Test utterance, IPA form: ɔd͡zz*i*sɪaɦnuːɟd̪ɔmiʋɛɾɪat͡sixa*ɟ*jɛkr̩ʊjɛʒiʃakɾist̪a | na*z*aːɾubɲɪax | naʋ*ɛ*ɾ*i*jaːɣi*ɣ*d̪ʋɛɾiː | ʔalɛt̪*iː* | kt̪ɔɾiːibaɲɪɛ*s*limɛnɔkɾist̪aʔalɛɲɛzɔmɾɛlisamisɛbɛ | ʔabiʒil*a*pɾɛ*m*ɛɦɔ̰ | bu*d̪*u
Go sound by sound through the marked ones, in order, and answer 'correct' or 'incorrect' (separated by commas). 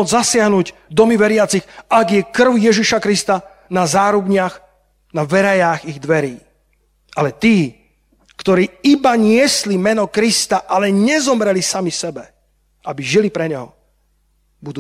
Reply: incorrect, incorrect, correct, correct, incorrect, correct, correct, correct, incorrect, incorrect, correct